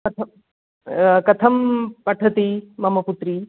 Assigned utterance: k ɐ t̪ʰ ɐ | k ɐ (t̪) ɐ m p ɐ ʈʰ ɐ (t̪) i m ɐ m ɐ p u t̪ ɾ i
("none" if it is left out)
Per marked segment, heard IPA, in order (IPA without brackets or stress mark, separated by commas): t̪ʰ, t̪